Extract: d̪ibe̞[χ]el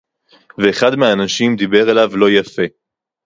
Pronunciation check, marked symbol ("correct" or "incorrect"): incorrect